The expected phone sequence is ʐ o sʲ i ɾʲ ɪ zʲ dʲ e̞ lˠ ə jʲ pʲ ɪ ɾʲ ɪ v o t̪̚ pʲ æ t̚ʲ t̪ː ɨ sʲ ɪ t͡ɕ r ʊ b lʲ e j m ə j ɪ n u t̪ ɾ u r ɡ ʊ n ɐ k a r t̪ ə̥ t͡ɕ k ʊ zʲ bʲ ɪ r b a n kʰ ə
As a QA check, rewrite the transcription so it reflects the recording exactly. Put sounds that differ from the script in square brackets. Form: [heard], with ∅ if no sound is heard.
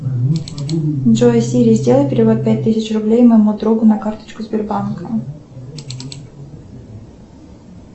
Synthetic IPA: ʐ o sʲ i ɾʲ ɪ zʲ dʲ e̞ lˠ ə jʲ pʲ ɪ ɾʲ ɪ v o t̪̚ pʲ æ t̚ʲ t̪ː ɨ sʲ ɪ t͡ɕ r ʊ b lʲ e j m ə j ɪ [m] u [d̪] ɾ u [∅] ɡ ʊ n ɐ k a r t̪ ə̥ t͡ɕ k ʊ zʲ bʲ ɪ r b a n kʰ ə